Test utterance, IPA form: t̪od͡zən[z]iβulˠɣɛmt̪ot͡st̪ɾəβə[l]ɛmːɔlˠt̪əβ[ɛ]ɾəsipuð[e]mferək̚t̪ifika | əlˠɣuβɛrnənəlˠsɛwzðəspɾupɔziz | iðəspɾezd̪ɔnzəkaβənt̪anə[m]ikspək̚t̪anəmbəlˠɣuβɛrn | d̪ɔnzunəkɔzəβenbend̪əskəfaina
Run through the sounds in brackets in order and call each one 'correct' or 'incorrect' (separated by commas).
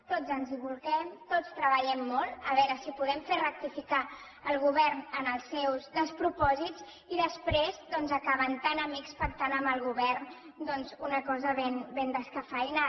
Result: correct, incorrect, correct, incorrect, correct